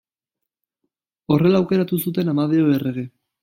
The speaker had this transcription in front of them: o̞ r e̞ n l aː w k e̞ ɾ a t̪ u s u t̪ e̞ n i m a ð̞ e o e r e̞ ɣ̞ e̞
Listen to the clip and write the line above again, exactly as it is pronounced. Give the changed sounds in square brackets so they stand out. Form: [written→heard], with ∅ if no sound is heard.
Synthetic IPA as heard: o̞ r e̞ [n→∅] l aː w k e̞ ɾ a t̪ u s u t̪ e̞ n [i→a] m a ð̞ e o e r e̞ ɣ̞ e̞